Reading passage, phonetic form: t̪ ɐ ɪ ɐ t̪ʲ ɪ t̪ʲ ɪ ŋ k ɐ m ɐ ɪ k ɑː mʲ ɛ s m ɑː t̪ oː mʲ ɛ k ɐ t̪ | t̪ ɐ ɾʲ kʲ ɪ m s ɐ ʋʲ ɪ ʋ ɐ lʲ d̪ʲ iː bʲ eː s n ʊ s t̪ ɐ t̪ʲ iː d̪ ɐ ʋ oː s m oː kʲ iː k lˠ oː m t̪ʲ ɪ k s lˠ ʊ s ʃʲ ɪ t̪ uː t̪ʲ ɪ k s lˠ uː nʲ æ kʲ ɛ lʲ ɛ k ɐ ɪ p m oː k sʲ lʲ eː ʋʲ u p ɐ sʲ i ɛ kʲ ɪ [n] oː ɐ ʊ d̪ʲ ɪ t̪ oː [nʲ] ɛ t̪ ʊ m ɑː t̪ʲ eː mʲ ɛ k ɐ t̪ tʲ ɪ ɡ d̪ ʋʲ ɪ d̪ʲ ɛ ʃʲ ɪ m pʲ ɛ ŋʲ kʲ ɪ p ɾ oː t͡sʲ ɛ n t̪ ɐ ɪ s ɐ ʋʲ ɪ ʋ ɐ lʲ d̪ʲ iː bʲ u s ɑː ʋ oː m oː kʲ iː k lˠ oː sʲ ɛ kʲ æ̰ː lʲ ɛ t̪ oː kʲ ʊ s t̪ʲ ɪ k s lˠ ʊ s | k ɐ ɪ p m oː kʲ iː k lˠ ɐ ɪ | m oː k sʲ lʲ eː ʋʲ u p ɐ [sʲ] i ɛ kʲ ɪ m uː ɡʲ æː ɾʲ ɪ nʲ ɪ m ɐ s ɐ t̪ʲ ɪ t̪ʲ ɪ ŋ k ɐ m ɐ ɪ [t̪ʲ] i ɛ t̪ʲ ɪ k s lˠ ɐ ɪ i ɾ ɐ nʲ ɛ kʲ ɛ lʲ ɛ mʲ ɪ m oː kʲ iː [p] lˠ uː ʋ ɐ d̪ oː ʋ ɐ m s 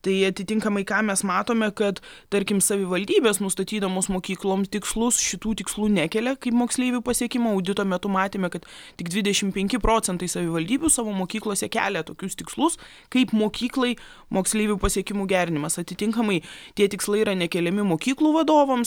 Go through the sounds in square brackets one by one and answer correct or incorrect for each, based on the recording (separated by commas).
incorrect, incorrect, correct, correct, incorrect